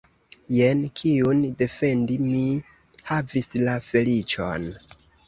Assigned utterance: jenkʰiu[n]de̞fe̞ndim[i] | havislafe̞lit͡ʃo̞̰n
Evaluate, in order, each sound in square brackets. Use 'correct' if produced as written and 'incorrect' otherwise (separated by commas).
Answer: correct, correct